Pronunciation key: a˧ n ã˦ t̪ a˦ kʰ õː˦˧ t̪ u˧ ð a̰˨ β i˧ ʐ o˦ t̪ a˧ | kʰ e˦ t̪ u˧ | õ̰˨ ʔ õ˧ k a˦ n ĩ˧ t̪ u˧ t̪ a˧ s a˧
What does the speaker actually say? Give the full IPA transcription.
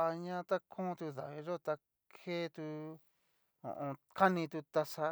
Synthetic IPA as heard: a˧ ɲ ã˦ t̪ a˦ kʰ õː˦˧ t̪ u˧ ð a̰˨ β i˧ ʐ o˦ t̪ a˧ | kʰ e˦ t̪ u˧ | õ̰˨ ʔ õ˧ k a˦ n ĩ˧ t̪ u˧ t̪ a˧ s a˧

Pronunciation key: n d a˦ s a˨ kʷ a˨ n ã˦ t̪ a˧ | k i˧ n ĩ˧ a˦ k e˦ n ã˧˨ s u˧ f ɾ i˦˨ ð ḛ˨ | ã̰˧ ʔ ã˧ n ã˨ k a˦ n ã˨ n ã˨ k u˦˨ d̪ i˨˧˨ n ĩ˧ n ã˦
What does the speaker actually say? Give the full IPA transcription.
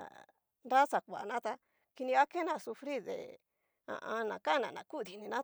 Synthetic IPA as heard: n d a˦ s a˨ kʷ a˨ n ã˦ t̪ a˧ | k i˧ n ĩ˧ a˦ k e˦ n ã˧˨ s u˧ f ɾ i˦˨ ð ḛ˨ | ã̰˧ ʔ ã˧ n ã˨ k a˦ n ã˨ n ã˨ k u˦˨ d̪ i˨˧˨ n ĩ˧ n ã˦

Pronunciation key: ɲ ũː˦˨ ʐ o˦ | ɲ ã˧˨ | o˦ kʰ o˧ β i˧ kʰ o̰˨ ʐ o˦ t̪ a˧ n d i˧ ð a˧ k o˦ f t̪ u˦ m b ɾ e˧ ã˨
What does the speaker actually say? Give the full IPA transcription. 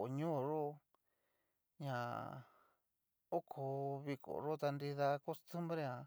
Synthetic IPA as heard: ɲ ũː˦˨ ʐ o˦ | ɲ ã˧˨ | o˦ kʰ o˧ β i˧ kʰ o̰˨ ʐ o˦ t̪ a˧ n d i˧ ð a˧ k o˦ s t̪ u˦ m b ɾ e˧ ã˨

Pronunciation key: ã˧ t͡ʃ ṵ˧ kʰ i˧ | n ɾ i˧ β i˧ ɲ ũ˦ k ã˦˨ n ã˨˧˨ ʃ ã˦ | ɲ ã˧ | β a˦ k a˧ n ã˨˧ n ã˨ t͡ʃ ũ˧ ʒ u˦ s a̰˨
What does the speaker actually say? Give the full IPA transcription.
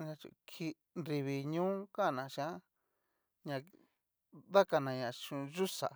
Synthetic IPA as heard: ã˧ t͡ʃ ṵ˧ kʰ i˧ | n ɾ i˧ β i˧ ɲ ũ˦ k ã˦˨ n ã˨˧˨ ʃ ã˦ | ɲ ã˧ | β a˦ k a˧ n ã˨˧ ɲ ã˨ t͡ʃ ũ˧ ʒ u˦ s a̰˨

